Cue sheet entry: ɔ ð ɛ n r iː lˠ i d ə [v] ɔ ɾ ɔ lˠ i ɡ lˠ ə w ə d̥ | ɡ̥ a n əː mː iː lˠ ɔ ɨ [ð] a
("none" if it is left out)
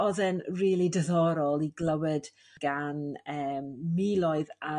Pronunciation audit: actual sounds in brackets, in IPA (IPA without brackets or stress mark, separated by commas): ð, ð